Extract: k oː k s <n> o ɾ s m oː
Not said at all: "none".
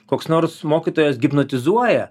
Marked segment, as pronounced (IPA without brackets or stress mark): n